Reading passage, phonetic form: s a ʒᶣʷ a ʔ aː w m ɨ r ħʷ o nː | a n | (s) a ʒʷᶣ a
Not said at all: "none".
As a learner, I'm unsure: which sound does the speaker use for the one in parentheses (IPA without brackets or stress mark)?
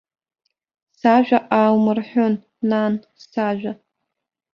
s